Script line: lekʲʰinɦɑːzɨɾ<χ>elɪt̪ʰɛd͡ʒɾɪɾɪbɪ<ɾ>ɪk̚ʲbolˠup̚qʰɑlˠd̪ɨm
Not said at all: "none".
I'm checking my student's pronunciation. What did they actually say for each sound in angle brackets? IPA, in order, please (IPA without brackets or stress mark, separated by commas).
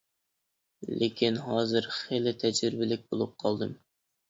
χ, l